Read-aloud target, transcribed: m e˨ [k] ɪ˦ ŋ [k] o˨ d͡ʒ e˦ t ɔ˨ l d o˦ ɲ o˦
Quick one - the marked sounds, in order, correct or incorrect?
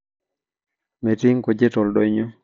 incorrect: t, correct

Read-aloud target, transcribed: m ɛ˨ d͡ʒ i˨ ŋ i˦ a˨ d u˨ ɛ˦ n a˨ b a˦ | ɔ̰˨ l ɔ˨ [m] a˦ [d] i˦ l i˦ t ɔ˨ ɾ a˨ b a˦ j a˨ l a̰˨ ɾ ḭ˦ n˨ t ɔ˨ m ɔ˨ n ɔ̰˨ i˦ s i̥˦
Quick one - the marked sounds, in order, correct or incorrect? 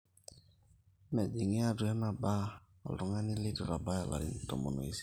incorrect: ŋ, incorrect: n

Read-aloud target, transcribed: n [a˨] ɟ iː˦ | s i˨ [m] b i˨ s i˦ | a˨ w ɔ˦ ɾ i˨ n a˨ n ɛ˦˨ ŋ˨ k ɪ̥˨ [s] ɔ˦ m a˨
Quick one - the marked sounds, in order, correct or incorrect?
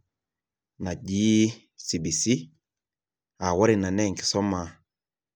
correct, incorrect: none, correct

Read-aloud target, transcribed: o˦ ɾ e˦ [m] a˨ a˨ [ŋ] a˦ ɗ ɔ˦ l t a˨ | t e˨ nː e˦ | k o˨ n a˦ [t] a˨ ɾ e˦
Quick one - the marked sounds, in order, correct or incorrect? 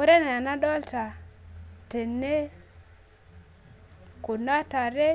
incorrect: n, incorrect: n, correct

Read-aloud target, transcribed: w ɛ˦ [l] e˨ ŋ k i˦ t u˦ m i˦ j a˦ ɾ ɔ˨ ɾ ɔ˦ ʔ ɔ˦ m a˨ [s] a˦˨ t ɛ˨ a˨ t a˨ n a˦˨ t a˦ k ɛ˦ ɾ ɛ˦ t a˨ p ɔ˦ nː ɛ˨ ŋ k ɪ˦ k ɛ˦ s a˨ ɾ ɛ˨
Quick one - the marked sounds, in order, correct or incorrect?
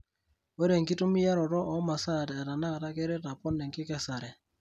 incorrect: ɾ, correct

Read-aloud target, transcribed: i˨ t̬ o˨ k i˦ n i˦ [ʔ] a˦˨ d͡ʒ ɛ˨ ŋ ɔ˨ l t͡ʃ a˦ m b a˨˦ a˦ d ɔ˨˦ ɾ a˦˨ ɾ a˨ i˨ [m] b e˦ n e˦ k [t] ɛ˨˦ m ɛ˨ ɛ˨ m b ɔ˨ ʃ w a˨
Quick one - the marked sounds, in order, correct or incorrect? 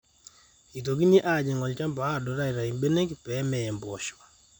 correct, correct, incorrect: p

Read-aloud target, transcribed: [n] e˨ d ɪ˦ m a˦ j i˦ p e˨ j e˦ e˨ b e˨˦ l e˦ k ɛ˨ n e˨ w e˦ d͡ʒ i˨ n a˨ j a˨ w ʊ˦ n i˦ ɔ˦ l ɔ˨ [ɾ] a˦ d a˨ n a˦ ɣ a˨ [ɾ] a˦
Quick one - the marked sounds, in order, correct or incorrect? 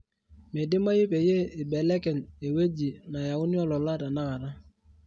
incorrect: m, incorrect: l, correct

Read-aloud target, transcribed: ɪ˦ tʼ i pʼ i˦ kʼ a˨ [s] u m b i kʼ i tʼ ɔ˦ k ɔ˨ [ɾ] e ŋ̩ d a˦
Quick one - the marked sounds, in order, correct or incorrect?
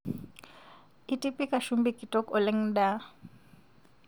incorrect: ʃ, incorrect: l

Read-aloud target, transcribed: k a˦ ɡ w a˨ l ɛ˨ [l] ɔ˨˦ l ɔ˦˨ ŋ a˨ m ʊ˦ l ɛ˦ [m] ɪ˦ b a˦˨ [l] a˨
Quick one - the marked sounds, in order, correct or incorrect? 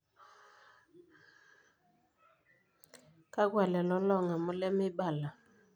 correct, correct, correct

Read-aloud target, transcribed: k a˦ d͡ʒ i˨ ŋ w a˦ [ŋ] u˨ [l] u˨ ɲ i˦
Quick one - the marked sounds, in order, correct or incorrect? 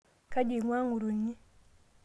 correct, incorrect: ɾ

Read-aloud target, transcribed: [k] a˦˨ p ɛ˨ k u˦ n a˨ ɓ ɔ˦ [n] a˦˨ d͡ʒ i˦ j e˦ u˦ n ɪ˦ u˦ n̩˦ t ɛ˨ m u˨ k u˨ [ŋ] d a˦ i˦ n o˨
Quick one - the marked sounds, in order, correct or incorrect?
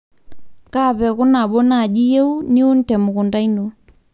correct, correct, incorrect: n

